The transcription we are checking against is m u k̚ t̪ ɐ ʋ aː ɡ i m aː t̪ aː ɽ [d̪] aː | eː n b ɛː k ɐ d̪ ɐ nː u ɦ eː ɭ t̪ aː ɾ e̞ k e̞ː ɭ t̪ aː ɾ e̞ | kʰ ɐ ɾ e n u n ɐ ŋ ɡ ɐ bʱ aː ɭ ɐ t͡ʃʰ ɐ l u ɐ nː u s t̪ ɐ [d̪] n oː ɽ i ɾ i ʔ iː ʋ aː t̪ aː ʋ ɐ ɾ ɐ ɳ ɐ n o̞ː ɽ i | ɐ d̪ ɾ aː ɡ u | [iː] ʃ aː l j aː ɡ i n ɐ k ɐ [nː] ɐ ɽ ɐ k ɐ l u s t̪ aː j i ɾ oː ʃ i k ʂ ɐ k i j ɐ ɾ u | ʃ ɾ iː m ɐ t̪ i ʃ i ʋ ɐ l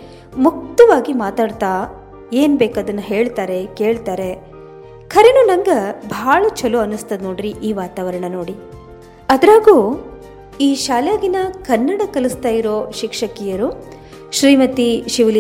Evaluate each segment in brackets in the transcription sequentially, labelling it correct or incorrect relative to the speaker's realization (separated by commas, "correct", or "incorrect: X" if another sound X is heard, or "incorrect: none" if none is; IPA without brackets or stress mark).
incorrect: t̪, correct, correct, correct